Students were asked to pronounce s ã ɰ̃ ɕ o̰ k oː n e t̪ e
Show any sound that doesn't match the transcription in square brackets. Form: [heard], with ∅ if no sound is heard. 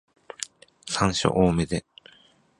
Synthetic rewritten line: s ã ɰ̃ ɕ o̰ [ʔ] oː [m] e [d̪] e

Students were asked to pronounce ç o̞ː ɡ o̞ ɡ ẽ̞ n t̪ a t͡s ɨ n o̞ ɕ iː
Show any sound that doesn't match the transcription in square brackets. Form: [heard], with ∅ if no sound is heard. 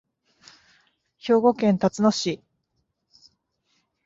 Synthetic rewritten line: ç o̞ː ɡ o̞ [k] ẽ̞ n t̪ a t͡s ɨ n o̞ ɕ [i]

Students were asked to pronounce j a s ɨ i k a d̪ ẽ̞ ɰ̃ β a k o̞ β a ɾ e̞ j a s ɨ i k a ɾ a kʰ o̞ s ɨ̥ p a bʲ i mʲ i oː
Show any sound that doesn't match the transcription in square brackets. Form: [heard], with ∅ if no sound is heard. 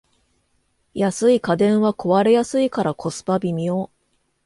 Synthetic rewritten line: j a s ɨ i k a d̪ ẽ̞ ɰ̃ β a k o̞ β a ɾ e̞ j a s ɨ i k a ɾ a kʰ o̞ s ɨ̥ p a bʲ i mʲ i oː

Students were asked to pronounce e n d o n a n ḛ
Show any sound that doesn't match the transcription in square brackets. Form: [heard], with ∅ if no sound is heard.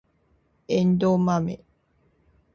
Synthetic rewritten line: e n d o [m] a [m] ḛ

